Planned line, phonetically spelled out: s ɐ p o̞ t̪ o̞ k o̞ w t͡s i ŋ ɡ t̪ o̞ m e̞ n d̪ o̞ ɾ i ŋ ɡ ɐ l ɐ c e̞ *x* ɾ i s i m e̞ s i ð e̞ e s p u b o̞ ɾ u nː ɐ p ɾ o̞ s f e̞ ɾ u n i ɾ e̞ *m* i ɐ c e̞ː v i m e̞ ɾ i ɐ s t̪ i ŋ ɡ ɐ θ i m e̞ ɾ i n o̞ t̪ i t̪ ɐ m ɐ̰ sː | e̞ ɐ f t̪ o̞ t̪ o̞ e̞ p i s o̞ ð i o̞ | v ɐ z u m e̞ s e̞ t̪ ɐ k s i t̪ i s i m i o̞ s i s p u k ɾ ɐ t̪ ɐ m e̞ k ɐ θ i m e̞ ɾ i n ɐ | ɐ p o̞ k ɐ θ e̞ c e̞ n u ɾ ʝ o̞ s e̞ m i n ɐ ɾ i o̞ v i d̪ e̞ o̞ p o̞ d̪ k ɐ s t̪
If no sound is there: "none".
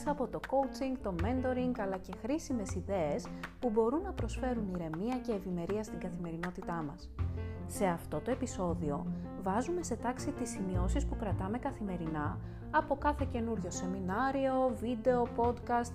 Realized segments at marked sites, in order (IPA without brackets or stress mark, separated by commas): x, m